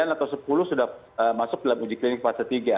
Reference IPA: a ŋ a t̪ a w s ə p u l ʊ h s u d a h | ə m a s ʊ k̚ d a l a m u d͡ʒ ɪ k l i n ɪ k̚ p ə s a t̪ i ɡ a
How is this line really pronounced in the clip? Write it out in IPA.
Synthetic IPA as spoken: a n a t̪ a w s ə p u l ʊ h s u d a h | ə m a s ʊ k̚ d a l a m u d͡ʒ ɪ k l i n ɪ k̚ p a s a t̪ i ɡ a